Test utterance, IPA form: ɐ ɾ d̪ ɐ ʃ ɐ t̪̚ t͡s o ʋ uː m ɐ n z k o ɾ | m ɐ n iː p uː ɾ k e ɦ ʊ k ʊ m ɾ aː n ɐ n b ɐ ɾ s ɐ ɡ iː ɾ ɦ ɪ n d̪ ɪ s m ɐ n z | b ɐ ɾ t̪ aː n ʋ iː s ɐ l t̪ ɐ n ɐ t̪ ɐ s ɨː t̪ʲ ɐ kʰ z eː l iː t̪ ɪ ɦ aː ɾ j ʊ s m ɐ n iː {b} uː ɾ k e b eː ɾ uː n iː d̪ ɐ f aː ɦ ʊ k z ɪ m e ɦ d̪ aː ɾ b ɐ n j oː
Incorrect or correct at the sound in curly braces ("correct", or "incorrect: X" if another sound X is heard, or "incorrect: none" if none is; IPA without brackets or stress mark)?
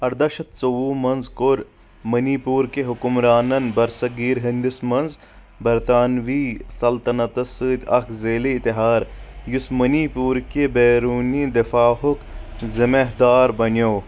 incorrect: p